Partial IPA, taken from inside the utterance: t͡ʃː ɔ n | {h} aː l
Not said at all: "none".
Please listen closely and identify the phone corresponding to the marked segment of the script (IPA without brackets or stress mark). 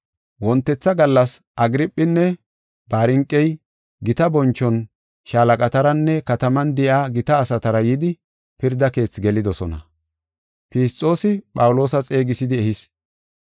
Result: ʃ